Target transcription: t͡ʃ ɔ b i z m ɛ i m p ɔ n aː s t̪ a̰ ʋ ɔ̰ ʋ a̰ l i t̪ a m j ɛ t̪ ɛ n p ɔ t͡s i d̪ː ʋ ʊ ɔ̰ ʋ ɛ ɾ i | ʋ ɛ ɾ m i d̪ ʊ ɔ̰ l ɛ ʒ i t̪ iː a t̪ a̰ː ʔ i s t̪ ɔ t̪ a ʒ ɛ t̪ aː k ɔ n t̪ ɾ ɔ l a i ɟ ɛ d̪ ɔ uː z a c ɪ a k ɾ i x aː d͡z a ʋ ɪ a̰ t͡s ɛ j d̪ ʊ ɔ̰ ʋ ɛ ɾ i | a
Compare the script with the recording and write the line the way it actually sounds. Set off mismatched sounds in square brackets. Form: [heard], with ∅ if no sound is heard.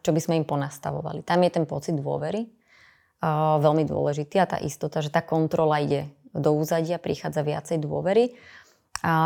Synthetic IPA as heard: t͡ʃ ɔ b i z m ɛ i m p ɔ n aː s t̪ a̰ ʋ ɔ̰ ʋ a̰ l i t̪ a m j ɛ t̪ ɛ n p ɔ t͡s i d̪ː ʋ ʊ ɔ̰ ʋ ɛ ɾ i | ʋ ɛ [l] m i d̪ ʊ ɔ̰ l ɛ ʒ i t̪ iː a t̪ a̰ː ʔ i s t̪ ɔ t̪ a ʒ ɛ t̪ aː k ɔ n t̪ ɾ ɔ l a i ɟ ɛ d̪ ɔ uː z a [ɟ] ɪ a [p] ɾ i x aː d͡z a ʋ ɪ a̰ t͡s ɛ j d̪ ʊ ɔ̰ ʋ ɛ ɾ i | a